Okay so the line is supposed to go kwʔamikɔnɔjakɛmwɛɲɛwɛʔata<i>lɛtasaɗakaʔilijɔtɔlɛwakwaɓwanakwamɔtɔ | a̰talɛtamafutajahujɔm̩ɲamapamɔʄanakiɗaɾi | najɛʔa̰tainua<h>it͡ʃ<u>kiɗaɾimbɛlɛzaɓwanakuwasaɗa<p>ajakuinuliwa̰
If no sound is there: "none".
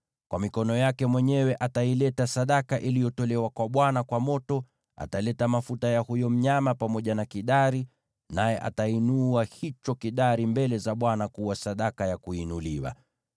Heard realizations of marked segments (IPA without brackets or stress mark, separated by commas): i, h, ɔ, k